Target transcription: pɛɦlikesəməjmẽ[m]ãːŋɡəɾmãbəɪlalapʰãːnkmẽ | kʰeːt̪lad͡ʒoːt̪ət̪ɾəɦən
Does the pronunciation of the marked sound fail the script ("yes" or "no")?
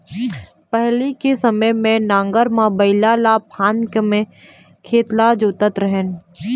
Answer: yes